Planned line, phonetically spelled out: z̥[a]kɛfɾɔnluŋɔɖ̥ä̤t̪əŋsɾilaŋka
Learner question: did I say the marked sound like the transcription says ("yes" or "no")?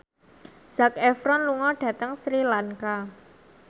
yes